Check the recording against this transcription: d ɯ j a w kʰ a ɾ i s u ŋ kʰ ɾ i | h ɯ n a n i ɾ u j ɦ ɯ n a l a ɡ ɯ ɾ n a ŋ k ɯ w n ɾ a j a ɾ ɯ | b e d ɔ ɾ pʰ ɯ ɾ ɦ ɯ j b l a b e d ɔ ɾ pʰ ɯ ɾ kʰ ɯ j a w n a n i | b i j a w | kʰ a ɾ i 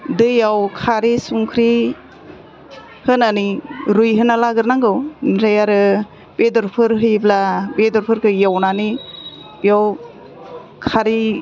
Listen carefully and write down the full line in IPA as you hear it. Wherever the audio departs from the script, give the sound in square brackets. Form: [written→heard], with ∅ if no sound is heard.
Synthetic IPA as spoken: d ɯ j a w kʰ a ɾ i s u ŋ kʰ ɾ i | h ɯ n a n i ɾ u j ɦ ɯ n a l a ɡ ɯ ɾ n a ŋ [k→ɡ] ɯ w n ɾ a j a ɾ ɯ | b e d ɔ ɾ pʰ ɯ ɾ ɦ ɯ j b l a b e d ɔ ɾ pʰ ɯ ɾ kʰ ɯ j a w n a n i | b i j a w | kʰ a ɾ i